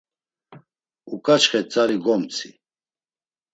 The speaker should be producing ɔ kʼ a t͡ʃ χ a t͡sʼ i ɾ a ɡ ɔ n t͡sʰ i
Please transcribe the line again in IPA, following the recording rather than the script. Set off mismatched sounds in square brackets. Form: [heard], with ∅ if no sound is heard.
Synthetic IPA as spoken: [u] kʼ a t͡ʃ χ [ɛ] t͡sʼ [a] ɾ [i] ɡ ɔ [m] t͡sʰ i